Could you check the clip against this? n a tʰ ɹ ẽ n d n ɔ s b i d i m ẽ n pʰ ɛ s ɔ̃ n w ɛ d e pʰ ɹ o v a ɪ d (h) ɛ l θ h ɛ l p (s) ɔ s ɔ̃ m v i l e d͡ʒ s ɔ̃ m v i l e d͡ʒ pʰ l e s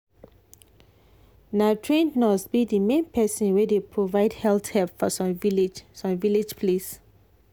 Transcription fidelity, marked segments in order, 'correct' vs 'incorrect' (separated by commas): correct, incorrect